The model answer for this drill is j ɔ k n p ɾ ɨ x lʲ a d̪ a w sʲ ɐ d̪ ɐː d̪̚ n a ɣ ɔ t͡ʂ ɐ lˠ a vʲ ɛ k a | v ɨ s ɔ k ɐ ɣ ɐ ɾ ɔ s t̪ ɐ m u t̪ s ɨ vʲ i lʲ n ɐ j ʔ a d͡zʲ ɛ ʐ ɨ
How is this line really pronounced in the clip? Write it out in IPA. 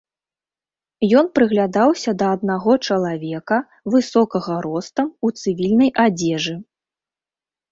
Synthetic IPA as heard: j ɔ n p ɾ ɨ ɣ lʲ a d̪ a w sʲ ɐ d̪ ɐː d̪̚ n a ɣ ɔ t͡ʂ ɐ lˠ a vʲ ɛ k ɐ | v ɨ s ɔ k ɐ ɣ ɐ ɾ ɔ s t̪ ɐ m u t̪ s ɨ vʲ i lʲ n ɐ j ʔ a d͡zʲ ɛ ʐ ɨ